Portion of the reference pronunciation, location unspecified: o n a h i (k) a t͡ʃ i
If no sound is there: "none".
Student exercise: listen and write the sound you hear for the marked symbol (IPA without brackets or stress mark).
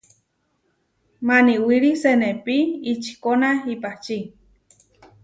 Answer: p